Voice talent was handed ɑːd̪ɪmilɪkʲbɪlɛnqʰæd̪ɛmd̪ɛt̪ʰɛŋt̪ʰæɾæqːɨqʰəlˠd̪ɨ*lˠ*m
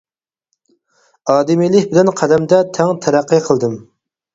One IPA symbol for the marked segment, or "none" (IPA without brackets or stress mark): none